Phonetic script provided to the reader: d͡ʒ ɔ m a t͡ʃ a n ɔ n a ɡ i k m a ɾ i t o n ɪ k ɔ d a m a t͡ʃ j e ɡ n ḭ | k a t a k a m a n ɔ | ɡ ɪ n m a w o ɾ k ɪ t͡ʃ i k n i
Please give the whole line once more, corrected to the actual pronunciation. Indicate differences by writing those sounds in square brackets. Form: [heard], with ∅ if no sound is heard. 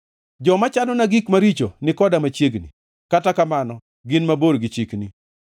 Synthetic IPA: d͡ʒ ɔ m a t͡ʃ a n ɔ n a ɡ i k m a ɾ i [t͡ʃ] o n ɪ k ɔ d a m a t͡ʃ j e ɡ n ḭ | k a t a k a m a n ɔ | ɡ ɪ n m a [b] o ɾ [ɡ] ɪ t͡ʃ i k n i